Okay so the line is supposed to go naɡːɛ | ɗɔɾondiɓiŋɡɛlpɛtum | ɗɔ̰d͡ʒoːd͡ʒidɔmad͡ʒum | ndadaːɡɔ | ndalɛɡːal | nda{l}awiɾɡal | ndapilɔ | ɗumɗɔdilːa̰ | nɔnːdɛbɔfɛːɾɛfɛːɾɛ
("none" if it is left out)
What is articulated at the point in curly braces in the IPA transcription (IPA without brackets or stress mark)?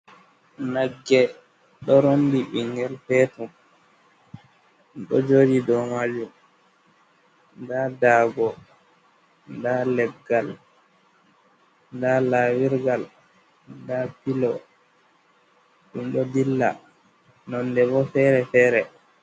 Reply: l